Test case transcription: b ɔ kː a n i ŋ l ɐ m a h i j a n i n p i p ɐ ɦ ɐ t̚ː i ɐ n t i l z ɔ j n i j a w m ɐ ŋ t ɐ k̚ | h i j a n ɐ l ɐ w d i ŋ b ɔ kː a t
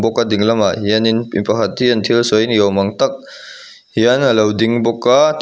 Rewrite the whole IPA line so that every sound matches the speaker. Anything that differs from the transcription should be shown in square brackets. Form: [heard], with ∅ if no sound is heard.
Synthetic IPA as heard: b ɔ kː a [d] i ŋ l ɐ m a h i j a n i n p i p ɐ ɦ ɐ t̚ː i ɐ n [tʰ] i l [s] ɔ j n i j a w m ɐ ŋ t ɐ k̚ | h i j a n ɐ l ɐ w d i ŋ b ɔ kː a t